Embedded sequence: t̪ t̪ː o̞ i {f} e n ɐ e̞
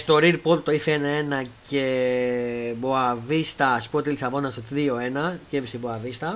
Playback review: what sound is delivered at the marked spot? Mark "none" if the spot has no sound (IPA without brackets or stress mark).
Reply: f